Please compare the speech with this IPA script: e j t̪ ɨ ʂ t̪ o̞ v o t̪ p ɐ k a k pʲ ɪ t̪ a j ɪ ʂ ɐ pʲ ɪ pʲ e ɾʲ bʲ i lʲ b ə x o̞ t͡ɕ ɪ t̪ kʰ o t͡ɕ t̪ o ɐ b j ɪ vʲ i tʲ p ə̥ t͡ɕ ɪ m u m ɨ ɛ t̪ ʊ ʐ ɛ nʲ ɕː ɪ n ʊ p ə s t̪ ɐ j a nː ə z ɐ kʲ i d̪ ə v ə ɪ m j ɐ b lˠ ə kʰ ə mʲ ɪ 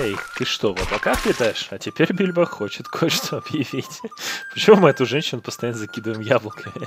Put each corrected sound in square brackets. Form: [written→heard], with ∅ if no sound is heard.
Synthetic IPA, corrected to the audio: e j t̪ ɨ ʂ t̪ o̞ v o t̪ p ɐ k a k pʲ ɪ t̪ a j ɪ ʂ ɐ [pʲ→tʲ] ɪ pʲ e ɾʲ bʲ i lʲ b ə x o̞ t͡ɕ ɪ t̪ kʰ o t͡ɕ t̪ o ɐ b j ɪ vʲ i tʲ p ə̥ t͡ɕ ɪ m u m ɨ ɛ t̪ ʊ ʐ ɛ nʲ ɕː ɪ n ʊ p ə s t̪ ɐ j a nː ə z ɐ kʲ i d̪ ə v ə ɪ m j [ɐ→a] b lˠ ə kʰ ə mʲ ɪ